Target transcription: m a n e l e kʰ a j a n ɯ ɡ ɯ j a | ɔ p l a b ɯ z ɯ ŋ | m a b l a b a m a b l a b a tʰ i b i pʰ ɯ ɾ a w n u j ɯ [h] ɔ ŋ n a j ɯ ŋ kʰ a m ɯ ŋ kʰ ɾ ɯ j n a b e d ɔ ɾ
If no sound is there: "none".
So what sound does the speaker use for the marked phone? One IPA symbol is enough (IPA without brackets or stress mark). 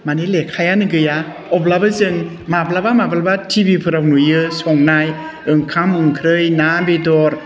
s